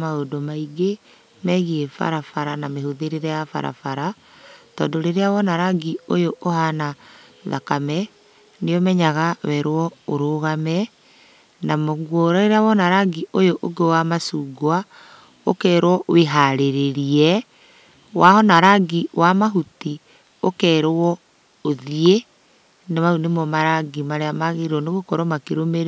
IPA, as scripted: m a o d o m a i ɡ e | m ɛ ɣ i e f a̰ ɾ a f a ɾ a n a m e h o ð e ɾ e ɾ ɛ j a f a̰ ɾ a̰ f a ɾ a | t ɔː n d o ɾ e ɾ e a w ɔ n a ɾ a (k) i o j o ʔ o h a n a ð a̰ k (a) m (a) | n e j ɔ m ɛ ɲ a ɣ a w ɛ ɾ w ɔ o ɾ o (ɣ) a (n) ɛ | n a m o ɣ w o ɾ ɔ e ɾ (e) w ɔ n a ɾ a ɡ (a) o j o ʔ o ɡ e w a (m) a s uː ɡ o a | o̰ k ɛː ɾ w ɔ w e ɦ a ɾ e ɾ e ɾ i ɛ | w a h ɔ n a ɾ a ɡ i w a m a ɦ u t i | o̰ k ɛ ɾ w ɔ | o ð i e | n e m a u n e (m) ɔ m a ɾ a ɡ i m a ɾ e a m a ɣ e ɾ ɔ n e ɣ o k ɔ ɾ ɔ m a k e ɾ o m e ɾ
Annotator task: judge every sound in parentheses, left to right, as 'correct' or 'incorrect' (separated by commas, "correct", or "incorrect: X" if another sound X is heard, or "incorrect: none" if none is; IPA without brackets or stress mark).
incorrect: ɡ, correct, incorrect: ɛ, correct, incorrect: m, incorrect: a, incorrect: i, correct, correct